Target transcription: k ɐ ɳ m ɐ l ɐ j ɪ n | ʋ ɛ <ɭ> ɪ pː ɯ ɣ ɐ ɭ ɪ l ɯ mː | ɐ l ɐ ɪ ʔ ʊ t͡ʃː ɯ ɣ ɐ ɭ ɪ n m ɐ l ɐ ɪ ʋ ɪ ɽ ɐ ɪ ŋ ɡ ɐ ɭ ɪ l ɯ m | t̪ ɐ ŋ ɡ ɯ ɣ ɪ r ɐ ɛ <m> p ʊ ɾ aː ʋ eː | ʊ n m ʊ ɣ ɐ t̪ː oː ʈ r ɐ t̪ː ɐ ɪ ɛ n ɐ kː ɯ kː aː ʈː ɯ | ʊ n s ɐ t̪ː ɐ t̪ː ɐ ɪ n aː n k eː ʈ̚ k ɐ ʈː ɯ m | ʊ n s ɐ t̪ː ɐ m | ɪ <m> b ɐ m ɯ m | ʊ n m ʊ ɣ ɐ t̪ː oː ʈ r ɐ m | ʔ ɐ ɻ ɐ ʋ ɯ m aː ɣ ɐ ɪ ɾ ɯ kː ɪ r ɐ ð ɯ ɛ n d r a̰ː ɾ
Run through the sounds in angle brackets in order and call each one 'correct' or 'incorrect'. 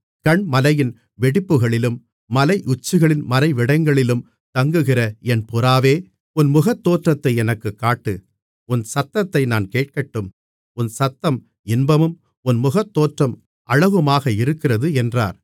incorrect, incorrect, incorrect

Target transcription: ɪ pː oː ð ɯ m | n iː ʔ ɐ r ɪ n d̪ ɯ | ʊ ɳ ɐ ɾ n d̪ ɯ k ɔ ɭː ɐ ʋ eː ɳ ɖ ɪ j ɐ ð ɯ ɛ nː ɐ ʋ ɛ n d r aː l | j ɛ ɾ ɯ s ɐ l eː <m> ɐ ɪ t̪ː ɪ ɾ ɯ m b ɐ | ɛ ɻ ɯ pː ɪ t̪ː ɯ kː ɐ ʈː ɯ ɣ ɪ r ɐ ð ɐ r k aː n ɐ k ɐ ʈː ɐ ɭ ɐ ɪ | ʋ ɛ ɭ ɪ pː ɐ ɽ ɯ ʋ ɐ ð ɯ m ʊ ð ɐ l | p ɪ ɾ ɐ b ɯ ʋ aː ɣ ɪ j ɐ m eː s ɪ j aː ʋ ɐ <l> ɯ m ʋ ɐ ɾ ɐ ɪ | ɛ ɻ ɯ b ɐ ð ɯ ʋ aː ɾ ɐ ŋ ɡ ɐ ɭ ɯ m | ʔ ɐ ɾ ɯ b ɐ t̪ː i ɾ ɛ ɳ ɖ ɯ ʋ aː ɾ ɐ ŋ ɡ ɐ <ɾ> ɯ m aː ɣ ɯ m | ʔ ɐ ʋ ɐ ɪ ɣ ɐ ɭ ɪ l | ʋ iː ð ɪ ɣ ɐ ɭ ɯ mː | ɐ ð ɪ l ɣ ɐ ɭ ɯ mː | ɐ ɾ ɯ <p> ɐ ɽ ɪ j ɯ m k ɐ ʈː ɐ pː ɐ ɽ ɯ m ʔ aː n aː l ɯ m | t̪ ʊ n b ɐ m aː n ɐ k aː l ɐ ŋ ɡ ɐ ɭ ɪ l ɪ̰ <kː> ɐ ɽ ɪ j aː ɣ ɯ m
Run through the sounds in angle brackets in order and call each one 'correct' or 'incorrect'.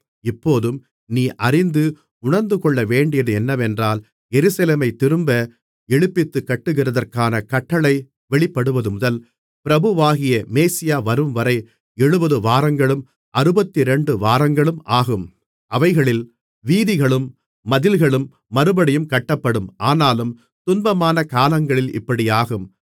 correct, incorrect, incorrect, incorrect, incorrect

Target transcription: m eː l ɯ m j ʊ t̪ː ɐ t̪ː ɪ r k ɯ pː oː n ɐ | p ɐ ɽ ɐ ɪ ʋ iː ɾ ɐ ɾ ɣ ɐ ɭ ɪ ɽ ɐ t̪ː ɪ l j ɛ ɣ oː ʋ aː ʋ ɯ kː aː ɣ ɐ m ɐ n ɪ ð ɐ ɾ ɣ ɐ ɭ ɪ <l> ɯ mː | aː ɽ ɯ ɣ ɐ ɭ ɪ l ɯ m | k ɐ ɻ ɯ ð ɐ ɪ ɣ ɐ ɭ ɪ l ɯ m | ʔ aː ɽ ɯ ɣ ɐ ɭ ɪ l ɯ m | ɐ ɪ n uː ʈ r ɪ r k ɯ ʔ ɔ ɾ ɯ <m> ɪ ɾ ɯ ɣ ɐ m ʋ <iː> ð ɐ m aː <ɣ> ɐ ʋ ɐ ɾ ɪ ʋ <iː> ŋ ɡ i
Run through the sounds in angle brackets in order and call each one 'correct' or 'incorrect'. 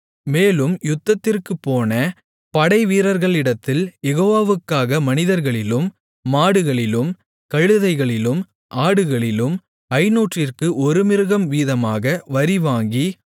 correct, correct, correct, correct, incorrect

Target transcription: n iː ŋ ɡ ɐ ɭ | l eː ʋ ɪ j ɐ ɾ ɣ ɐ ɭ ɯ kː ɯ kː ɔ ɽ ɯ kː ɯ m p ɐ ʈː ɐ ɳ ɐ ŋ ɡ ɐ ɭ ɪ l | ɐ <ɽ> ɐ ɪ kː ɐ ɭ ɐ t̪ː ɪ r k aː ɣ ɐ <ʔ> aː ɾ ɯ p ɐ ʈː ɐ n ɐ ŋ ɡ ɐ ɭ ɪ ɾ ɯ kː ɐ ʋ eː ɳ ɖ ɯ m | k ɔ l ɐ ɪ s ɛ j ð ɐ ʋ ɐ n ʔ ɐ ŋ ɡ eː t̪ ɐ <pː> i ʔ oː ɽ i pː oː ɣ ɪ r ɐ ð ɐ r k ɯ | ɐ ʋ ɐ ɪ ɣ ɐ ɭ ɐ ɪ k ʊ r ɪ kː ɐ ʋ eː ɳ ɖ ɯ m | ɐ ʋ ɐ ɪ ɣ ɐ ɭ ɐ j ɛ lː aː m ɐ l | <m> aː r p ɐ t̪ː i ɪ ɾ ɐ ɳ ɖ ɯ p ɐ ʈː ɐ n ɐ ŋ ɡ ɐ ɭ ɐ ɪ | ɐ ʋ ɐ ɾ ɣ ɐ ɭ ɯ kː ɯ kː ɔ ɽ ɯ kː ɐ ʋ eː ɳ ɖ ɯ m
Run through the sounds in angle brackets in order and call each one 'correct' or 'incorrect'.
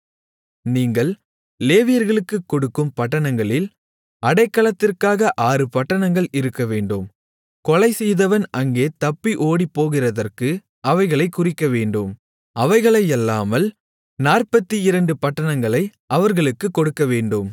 correct, correct, correct, incorrect

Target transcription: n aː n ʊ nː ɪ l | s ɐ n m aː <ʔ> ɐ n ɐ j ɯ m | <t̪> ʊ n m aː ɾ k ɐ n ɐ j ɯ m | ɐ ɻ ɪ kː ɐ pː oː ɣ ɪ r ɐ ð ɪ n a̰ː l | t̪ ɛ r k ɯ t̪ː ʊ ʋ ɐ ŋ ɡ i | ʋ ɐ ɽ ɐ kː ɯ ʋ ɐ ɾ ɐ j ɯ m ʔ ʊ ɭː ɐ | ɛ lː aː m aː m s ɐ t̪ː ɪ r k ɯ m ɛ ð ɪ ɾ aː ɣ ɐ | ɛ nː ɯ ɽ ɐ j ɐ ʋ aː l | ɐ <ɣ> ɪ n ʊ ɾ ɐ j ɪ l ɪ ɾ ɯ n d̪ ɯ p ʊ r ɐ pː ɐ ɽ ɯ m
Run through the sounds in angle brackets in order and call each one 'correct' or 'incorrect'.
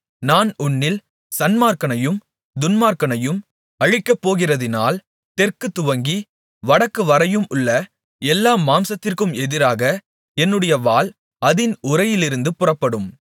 incorrect, incorrect, incorrect

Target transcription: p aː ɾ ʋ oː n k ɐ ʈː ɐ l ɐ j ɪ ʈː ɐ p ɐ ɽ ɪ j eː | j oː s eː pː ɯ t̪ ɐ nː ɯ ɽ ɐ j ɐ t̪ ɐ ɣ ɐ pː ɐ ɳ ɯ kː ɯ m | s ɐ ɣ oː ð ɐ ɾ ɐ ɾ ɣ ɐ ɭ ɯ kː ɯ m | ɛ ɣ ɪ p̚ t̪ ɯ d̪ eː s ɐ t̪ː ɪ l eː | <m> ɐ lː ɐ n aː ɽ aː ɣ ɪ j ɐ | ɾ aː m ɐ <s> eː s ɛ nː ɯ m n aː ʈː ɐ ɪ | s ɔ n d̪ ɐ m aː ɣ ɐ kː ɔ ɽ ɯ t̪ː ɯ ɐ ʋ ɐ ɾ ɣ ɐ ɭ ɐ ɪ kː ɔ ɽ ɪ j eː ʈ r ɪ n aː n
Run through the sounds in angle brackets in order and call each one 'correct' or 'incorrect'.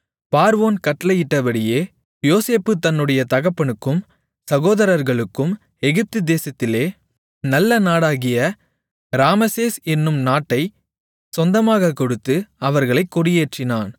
incorrect, correct

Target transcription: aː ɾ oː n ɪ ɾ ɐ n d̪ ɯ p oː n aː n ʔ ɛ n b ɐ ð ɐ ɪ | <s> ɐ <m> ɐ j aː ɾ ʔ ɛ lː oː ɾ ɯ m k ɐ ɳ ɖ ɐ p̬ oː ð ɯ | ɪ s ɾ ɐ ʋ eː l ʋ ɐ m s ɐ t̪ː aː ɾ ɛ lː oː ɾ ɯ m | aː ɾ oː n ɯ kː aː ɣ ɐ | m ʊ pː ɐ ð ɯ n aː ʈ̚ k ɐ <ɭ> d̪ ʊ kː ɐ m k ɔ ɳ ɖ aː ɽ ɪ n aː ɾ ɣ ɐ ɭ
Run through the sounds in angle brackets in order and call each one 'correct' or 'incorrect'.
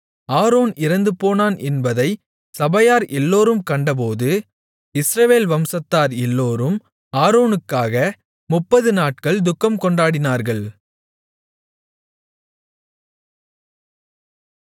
correct, incorrect, correct

